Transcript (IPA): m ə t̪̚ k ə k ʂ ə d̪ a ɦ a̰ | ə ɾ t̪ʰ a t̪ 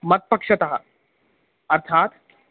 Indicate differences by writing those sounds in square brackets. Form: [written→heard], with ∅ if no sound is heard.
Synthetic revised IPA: m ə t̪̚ [k→p] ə k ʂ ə [d̪→t̪] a ɦ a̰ | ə ɾ t̪ʰ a t̪

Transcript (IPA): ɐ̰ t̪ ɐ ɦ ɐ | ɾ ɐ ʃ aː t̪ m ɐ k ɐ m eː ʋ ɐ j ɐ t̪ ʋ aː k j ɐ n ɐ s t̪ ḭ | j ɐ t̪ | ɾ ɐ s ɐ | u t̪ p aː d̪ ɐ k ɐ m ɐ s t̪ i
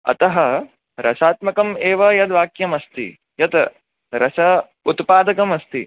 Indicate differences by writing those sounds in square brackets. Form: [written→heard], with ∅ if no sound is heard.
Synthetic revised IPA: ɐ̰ t̪ ɐ ɦ ɐ | ɾ ɐ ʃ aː t̪ m ɐ k ɐ m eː ʋ ɐ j ɐ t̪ ʋ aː k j ɐ [n→m] ɐ s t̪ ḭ | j ɐ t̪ | ɾ ɐ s ɐ | u t̪ p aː d̪ ɐ k ɐ m ɐ s t̪ i

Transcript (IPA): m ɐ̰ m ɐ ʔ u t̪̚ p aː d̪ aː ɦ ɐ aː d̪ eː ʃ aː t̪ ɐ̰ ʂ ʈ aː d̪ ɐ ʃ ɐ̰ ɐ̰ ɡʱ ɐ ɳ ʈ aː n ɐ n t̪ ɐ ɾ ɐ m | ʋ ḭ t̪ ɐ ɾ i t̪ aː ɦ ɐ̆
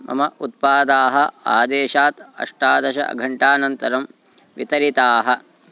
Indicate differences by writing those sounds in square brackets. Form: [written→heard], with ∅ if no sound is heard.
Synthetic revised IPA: m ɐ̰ m ɐ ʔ u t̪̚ p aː d̪ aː ɦ ɐ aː d̪ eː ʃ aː t̪ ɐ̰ ʂ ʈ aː d̪ ɐ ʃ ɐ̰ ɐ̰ ɡʱ ɐ ɳ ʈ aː n ɐ n t̪ ɐ ɾ ɐ m | ʋ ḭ t̪ ɐ ɾ i t̪ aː ɦ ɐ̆

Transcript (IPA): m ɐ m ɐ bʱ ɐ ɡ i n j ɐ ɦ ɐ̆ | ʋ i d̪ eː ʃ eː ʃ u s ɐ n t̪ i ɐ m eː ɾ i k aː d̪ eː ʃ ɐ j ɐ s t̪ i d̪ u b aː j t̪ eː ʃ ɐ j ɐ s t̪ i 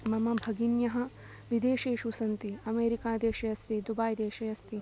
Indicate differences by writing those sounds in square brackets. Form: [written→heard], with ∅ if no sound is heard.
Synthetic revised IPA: m ɐ m ɐ bʱ ɐ ɡ i n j ɐ ɦ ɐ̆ | ʋ i d̪ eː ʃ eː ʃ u s ɐ n t̪ i ɐ m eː ɾ i k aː d̪ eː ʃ ɐ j ɐ s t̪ i d̪ u b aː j [t̪→d̪] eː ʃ ɐ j ɐ s t̪ i

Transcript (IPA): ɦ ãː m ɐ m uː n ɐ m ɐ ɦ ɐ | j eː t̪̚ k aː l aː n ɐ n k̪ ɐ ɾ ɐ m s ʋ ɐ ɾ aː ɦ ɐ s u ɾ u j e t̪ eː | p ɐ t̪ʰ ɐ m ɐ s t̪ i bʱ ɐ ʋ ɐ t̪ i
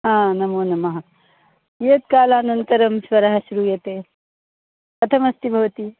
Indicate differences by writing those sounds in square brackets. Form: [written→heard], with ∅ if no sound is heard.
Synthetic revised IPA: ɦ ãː [m→n] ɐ m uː n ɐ m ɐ ɦ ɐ | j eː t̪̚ k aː l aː n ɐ n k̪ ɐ ɾ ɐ m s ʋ ɐ ɾ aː ɦ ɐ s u ɾ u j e t̪ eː | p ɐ t̪ʰ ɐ m ɐ s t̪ i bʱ ɐ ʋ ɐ t̪ i

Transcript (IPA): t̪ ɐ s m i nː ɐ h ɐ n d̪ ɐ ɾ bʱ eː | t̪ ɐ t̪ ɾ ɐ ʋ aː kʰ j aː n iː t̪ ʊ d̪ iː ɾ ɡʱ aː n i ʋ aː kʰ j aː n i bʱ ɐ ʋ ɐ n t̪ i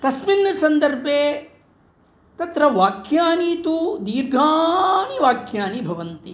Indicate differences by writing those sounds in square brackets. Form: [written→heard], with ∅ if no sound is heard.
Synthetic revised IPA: t̪ ɐ s m i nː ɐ [h→s] ɐ n d̪ ɐ ɾ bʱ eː | t̪ ɐ t̪ ɾ ɐ ʋ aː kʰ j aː n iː t̪ [ʊ→u] d̪ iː ɾ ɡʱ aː n i ʋ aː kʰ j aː n i bʱ ɐ ʋ ɐ n t̪ i

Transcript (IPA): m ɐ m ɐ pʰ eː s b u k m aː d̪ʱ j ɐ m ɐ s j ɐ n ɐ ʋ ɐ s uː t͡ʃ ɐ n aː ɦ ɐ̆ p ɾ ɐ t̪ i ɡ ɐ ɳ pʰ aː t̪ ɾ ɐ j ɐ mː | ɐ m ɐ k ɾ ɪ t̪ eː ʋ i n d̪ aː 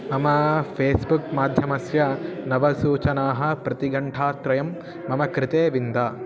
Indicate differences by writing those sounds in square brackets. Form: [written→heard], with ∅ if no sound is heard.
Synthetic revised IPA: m ɐ m ɐ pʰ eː s b u k m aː d̪ʱ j ɐ m ɐ s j ɐ n ɐ ʋ ɐ s uː t͡ʃ ɐ n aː ɦ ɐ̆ p ɾ ɐ t̪ i ɡ ɐ ɳ [pʰ→ʈʰ] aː t̪ ɾ ɐ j ɐ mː | ɐ m ɐ k ɾ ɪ t̪ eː ʋ i n d̪ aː

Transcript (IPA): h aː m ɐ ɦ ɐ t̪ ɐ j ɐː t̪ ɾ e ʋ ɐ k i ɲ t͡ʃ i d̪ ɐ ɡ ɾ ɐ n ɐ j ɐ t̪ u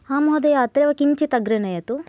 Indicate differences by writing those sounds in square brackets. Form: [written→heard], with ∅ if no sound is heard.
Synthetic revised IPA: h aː m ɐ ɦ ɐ [t̪→d̪] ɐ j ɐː t̪ ɾ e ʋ ɐ k i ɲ t͡ʃ i [d̪→t̪] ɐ ɡ ɾ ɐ n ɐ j ɐ t̪ u

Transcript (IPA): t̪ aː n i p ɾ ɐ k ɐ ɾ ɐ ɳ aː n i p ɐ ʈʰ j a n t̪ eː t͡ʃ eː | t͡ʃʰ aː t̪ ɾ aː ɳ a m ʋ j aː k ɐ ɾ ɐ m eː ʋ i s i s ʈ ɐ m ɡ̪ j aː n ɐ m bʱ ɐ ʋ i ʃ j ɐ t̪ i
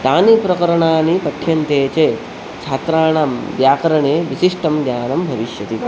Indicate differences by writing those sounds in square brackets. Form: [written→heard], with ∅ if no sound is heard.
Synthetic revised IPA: t̪ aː n i p ɾ ɐ k ɐ ɾ ɐ ɳ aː n i p ɐ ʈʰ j [a→ɐ] n t̪ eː t͡ʃ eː | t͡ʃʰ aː t̪ ɾ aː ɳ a m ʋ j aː k ɐ ɾ ɐ [m→ɳ] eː ʋ i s i [s→ʂ] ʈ ɐ m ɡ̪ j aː n ɐ m bʱ ɐ ʋ i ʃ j ɐ t̪ i

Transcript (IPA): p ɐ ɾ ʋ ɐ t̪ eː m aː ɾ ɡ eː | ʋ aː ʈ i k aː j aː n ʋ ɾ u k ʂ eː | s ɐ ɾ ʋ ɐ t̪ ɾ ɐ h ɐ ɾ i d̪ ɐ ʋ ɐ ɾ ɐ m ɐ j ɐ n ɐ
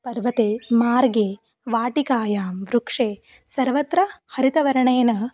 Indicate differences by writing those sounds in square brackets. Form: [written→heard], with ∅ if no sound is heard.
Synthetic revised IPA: p ɐ ɾ ʋ ɐ t̪ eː m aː ɾ ɡ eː | ʋ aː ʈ i k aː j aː [n→m] ʋ ɾ u k ʂ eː | s ɐ ɾ ʋ ɐ t̪ ɾ ɐ h ɐ ɾ i [d̪→t̪] ɐ ʋ ɐ ɾ ɐ [m→ɳ] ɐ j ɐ n ɐ

